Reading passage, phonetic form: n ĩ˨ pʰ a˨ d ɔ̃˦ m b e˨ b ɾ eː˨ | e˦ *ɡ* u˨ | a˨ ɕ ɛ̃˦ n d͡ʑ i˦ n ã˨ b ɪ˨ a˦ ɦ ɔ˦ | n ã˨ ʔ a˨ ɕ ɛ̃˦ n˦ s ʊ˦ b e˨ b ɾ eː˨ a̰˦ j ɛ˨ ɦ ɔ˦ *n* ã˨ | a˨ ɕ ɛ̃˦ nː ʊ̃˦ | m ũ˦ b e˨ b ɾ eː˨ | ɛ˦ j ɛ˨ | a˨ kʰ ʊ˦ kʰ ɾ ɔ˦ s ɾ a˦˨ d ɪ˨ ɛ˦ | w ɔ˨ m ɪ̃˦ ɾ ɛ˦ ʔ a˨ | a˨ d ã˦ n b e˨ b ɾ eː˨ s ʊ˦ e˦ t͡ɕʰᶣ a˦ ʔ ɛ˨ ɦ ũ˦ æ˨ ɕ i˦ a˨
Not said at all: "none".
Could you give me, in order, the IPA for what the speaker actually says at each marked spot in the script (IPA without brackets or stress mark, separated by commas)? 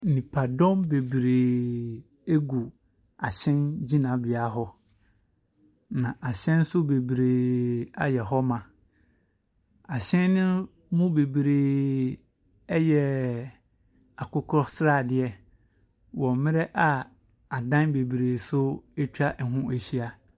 ɡ, m